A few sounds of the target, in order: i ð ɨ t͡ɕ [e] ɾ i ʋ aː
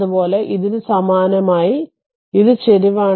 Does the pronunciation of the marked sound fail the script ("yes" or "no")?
no